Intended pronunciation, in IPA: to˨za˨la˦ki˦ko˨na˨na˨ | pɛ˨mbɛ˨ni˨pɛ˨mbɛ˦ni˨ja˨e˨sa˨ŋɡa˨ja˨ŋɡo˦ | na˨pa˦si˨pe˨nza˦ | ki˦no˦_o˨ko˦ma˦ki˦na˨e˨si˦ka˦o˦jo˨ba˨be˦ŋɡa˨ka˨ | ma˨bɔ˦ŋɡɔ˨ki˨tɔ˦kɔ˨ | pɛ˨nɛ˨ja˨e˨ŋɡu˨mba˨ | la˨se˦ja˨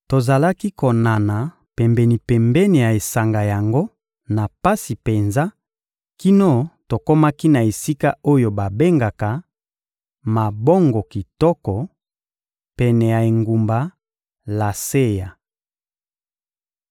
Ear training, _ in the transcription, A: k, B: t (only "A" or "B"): B